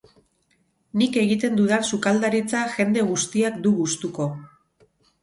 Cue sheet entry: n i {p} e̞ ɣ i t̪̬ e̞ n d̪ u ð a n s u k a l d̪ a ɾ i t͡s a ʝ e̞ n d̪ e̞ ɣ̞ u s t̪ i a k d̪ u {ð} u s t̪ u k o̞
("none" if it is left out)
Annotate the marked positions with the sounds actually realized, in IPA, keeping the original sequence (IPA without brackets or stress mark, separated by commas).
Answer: k, ɣ